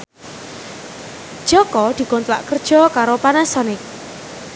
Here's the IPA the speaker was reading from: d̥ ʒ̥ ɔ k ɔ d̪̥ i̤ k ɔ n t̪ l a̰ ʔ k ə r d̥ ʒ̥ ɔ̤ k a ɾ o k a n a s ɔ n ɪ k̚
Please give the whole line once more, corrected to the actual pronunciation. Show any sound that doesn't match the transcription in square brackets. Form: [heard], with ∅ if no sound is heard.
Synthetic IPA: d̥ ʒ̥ ɔ k ɔ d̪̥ i̤ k ɔ n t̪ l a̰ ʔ k ə r d̥ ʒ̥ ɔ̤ k a ɾ o [p] a n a s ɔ n ɪ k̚